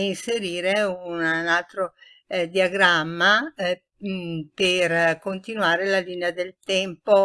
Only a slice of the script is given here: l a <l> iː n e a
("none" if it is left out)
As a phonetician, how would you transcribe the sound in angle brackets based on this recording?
l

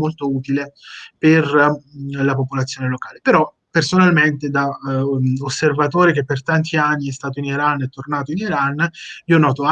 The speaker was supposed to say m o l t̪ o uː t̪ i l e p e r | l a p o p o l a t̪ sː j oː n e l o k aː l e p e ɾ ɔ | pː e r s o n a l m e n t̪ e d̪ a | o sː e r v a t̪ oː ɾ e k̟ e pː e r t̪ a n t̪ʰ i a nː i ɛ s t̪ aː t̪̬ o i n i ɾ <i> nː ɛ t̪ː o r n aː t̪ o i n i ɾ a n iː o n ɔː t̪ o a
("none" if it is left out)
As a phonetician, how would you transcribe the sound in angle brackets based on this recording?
a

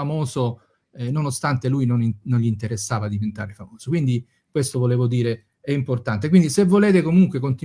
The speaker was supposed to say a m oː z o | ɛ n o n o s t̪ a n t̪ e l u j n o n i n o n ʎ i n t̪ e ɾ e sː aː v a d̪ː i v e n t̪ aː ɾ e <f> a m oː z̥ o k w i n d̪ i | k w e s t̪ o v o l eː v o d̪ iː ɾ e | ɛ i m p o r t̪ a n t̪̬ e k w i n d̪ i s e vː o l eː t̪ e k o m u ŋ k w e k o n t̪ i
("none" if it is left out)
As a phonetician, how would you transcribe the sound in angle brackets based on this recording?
f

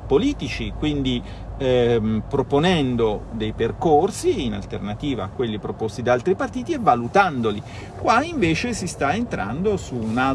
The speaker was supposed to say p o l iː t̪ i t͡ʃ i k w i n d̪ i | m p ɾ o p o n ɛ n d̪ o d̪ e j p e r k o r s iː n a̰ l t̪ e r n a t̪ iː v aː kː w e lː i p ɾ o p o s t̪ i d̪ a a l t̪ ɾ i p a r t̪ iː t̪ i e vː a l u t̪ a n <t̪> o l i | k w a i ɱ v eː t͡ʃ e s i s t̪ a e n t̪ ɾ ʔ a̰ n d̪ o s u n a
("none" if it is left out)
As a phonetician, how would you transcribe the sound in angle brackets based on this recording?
d̪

